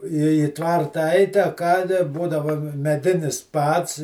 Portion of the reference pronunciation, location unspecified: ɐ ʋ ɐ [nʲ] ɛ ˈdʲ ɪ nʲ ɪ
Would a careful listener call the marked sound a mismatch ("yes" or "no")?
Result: yes